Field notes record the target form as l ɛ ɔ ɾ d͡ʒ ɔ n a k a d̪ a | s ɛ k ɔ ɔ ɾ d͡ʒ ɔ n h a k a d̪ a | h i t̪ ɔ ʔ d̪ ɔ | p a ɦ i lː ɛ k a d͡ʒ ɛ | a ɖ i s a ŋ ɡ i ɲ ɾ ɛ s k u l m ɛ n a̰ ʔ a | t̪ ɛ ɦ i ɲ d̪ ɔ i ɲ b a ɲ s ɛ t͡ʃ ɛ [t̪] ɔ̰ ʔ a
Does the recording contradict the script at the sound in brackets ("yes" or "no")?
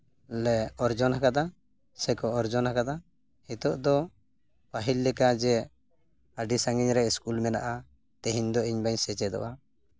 yes